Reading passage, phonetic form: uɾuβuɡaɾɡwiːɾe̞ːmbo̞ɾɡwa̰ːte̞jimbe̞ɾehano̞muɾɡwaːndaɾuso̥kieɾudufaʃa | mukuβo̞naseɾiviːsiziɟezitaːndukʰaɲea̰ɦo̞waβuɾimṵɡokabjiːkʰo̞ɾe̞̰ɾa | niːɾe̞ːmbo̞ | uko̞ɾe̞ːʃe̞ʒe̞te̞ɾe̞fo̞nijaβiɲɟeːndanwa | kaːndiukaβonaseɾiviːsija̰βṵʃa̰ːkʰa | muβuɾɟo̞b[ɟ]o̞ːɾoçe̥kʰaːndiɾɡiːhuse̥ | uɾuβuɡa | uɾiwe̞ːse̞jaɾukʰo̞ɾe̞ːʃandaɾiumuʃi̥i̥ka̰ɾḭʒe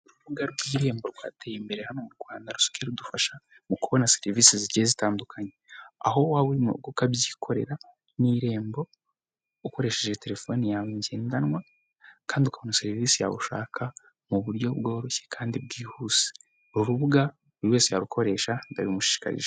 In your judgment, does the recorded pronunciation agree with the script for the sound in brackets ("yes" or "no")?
no